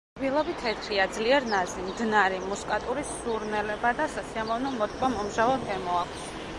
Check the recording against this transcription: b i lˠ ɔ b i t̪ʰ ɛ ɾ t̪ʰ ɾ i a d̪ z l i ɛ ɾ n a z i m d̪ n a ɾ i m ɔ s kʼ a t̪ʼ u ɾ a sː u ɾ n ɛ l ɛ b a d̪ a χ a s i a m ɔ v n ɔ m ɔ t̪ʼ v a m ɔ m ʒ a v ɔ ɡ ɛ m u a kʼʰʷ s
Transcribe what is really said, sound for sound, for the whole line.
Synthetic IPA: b i lˠ ɔ b i t̪ʰ ɛ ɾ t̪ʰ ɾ i a d̪ z l i ɛ ɾ n a z i m d̪ n a ɾ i m u s kʼ a t̪ʼ u ɾ i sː u ɾ n ɛ l ɛ b a d̪ a s a s i a m ɔ v n ɔ m ɔ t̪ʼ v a m ɔ m ʒ a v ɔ ɡ ɛ m ɔ a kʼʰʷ s